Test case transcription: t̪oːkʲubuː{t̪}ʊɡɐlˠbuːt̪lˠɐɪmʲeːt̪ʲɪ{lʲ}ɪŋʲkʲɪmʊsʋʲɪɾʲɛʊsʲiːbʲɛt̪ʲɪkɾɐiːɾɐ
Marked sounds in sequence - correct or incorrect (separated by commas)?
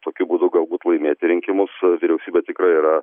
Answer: incorrect, incorrect